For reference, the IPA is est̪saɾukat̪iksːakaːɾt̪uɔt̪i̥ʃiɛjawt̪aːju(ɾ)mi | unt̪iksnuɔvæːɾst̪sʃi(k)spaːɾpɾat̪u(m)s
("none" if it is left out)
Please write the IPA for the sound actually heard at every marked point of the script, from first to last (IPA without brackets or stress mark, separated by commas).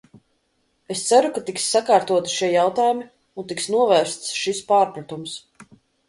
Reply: none, none, m